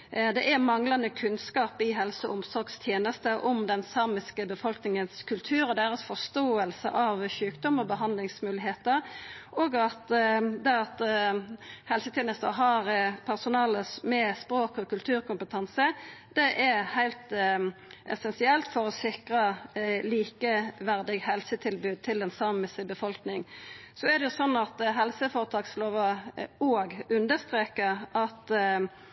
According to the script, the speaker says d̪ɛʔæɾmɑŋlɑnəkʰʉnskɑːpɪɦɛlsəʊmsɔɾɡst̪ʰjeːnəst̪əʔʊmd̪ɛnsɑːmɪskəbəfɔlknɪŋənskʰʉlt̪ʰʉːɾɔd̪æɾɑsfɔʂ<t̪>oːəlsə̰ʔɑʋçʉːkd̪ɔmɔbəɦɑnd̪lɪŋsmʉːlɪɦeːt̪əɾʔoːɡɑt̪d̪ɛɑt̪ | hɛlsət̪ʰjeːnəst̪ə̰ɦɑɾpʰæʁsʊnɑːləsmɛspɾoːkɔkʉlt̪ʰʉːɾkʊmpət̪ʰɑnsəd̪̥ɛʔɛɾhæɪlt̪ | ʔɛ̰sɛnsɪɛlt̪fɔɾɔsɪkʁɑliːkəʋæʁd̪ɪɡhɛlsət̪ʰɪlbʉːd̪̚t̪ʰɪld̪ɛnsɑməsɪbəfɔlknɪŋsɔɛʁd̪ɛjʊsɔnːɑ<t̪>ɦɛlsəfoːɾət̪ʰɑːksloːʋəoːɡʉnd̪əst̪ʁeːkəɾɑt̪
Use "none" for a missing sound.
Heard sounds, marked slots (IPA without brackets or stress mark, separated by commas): t̪, t̪